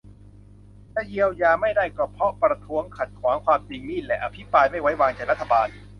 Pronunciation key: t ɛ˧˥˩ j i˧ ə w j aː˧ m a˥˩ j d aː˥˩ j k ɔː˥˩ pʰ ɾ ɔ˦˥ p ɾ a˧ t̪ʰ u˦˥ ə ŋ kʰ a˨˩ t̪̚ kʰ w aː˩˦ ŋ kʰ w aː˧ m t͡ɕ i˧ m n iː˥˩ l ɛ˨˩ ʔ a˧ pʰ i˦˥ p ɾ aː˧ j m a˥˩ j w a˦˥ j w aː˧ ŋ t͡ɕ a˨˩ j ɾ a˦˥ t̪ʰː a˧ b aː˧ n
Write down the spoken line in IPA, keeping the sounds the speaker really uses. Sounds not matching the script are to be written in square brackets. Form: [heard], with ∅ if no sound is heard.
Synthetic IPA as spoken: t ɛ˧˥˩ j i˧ ə w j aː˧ m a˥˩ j d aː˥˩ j k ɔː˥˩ pʰ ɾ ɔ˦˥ p ɾ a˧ t̪ʰ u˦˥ ə ŋ kʰ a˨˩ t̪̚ kʰ w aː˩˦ ŋ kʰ w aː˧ m t͡ɕ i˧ [ŋ] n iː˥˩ l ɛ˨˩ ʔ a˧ pʰ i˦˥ p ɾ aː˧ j m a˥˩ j w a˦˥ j w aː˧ ŋ t͡ɕ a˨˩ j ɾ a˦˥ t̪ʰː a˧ b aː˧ n